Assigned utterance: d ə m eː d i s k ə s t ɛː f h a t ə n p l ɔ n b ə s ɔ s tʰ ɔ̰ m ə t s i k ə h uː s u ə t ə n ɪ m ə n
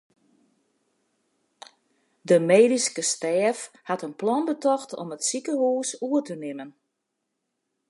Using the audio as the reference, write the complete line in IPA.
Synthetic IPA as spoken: d ə m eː d i s k ə s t ɛː f h a t ə n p l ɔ n b ə t ɔ x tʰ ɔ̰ m ə t s i k ə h uː s u ə t ə n ɪ m ə n